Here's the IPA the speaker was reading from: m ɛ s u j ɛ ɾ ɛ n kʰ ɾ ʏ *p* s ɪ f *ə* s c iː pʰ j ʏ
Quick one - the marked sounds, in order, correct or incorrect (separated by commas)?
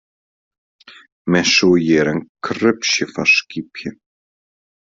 correct, incorrect